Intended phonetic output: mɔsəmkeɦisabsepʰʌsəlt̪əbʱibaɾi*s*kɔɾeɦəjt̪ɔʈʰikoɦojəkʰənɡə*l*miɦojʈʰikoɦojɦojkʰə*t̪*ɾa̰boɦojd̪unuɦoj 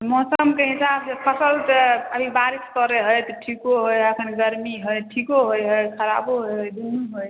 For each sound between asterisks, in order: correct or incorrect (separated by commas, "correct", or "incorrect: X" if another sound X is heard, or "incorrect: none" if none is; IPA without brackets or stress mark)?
correct, incorrect: ɾ, incorrect: none